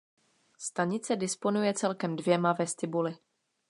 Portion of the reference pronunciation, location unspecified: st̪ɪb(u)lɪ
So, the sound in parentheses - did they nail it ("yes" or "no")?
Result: yes